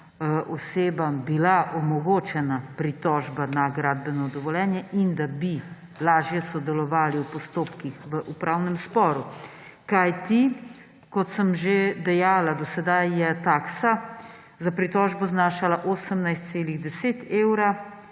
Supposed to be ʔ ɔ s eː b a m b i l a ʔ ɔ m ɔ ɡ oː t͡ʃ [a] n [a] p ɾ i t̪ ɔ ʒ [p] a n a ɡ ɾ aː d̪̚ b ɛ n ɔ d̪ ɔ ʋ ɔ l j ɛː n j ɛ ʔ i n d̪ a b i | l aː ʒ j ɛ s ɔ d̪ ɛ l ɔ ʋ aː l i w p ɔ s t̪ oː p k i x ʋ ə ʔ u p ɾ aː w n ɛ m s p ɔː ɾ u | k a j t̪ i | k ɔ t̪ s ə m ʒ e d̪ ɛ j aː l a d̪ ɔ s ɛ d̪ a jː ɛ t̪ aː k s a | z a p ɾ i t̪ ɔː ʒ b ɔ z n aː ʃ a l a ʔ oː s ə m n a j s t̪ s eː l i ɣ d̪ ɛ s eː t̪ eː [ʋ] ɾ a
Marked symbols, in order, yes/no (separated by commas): no, yes, no, no